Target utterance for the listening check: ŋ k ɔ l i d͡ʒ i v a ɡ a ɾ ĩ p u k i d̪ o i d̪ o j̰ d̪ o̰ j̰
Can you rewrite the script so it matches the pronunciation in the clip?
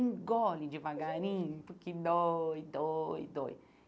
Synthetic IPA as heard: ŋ ɡ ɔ l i d͡ʒ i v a ɡ a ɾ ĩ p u k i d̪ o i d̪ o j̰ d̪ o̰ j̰